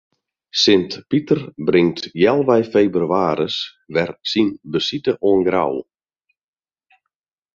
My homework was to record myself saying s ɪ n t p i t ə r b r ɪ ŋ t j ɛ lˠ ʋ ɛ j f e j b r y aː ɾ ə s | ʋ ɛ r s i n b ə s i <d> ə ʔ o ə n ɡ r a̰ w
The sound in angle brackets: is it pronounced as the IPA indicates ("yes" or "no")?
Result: no